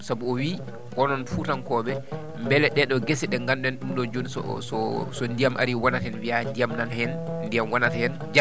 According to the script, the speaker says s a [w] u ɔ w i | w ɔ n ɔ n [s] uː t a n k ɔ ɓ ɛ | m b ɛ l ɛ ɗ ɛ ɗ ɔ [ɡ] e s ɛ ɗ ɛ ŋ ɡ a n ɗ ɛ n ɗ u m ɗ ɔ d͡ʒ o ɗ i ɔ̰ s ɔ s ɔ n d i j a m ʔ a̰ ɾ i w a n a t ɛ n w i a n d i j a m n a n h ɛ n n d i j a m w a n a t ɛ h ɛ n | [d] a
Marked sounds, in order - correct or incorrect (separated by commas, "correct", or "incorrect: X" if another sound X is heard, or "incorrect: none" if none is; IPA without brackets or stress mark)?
incorrect: b, incorrect: f, correct, incorrect: d͡ʒ